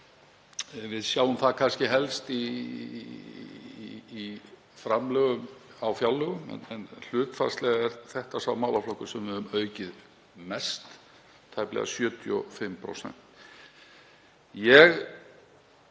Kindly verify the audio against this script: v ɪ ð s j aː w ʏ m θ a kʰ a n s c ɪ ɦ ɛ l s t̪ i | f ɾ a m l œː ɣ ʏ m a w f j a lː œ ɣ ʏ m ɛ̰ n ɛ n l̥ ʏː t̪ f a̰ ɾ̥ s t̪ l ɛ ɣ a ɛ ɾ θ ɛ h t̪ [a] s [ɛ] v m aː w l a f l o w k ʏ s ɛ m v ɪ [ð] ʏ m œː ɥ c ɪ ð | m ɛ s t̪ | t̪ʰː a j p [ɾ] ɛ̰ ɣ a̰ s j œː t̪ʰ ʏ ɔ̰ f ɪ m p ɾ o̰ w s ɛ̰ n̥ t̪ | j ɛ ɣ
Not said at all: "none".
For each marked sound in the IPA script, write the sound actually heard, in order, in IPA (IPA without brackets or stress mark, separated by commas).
a, a, ð, l